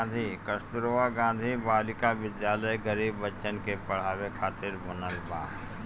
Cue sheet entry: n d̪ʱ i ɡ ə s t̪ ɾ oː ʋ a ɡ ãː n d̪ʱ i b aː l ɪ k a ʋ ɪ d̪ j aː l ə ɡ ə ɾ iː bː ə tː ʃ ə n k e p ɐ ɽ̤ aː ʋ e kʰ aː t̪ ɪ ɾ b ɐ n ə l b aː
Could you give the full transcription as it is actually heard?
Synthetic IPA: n d̪ʱ i k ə s t̪ ɾ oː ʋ a ɡ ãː n d̪ʱ i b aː l ɪ k a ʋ ɪ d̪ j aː l ə ɡ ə ɾ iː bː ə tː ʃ ə n k e p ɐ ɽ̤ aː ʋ e kʰ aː t̪ ɪ ɾ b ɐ n ə l b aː